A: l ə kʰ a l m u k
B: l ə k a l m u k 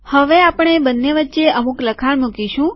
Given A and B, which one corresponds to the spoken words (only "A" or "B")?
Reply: A